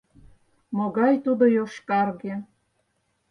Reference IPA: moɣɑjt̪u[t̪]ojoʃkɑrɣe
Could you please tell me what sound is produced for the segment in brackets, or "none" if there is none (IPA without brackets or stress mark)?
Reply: d̪